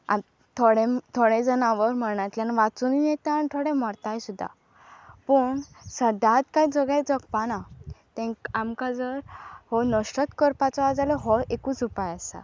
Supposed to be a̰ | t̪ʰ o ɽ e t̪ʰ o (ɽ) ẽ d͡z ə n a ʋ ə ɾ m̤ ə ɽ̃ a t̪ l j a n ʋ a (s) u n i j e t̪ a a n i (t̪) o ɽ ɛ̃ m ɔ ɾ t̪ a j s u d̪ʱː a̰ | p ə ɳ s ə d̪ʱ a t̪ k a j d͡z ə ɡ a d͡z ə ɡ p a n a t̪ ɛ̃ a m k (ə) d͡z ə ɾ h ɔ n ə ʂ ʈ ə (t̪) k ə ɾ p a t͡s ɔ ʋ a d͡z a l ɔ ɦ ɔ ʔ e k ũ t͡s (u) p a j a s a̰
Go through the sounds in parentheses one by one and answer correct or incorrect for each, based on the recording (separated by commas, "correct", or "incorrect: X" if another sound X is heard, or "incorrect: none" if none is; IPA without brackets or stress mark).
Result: correct, incorrect: t͡s, incorrect: t̪ʰ, incorrect: a, correct, correct